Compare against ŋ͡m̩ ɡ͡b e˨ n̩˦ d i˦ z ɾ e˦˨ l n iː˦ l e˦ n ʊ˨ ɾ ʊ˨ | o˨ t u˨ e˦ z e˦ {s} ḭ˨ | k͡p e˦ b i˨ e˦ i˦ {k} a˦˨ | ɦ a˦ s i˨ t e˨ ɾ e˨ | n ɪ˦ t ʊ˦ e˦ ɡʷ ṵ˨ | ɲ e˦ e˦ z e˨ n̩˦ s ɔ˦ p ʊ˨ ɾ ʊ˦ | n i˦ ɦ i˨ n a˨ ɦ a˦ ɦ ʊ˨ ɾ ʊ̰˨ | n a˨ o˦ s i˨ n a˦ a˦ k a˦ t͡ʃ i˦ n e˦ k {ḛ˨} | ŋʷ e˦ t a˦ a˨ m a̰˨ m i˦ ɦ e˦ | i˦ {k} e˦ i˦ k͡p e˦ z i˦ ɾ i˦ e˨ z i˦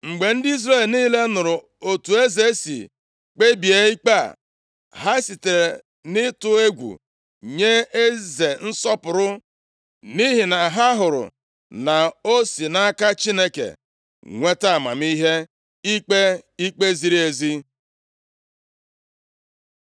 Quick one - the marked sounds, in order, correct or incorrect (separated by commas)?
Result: correct, incorrect, correct, incorrect